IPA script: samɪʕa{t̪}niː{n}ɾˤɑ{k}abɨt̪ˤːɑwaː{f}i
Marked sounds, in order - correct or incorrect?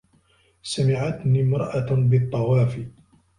correct, incorrect: m, incorrect: ʔ, correct

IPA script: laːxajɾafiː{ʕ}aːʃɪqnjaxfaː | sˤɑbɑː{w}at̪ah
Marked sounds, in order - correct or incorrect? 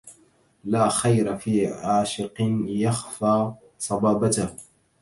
correct, incorrect: b

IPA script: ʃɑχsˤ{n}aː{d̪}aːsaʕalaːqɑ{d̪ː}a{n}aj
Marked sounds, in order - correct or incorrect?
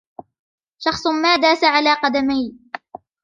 incorrect: m, correct, incorrect: d̪, incorrect: m

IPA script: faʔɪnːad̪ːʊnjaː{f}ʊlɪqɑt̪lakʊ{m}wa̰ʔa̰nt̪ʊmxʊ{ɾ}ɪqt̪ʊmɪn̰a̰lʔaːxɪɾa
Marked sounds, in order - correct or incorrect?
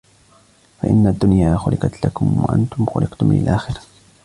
incorrect: x, correct, incorrect: l

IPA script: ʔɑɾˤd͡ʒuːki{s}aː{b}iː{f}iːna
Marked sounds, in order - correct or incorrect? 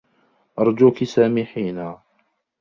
correct, incorrect: m, incorrect: ħ

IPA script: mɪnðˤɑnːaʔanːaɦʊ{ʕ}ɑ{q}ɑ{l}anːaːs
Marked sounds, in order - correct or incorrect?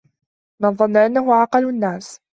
correct, correct, correct

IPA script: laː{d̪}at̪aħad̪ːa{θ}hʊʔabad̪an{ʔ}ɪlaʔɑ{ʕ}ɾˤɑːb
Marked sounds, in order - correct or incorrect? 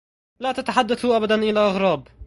incorrect: t̪, correct, correct, incorrect: ɣ

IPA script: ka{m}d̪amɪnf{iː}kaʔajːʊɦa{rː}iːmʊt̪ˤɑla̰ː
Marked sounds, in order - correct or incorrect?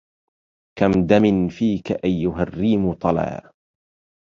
correct, correct, correct

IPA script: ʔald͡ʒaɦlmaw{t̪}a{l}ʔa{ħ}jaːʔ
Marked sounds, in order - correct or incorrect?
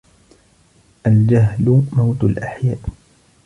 correct, correct, correct

